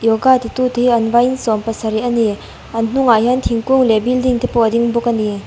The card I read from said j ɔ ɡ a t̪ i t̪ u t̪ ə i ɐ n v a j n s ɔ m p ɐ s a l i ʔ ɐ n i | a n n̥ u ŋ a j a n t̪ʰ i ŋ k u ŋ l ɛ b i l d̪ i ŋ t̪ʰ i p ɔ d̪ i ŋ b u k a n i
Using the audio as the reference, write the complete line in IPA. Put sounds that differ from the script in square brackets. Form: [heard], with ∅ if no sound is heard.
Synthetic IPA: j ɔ ɡ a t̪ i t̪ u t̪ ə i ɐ n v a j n s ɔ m p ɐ s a [ɾ] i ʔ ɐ n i | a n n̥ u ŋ a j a n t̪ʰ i ŋ k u ŋ l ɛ b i l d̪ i ŋ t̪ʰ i p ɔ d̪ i ŋ b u k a n i